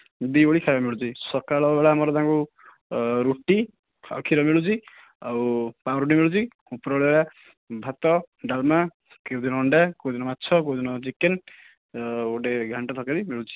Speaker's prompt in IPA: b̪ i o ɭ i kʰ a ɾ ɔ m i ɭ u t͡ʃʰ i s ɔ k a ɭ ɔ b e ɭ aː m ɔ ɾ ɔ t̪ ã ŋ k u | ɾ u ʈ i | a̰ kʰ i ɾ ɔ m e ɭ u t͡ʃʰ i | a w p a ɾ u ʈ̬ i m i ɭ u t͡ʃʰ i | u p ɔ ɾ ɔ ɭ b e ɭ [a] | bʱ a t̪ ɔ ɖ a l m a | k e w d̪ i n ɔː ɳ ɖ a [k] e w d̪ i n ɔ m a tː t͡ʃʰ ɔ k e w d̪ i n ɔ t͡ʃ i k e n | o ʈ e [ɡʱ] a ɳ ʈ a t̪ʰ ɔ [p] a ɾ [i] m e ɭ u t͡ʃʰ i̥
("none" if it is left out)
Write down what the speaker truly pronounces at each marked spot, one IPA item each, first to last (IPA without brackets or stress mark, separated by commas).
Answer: a, k, ɡʱ, k, i